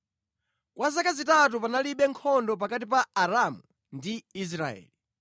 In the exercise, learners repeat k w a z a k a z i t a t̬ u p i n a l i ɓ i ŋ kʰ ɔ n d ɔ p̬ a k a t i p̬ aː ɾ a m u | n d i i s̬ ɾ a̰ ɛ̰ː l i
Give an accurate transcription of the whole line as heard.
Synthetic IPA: k w a z a k a z i t a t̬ u p a n a l i ɓ ɛ ŋ kʰ ɔ n d ɔ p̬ a k a t i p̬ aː ɾ a m u | n d i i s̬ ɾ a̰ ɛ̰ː l i